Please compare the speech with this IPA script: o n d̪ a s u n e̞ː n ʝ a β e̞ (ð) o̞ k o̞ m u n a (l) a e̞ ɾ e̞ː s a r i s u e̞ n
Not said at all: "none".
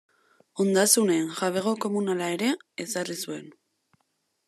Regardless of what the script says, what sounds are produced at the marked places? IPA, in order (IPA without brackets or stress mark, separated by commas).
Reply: ɣ, l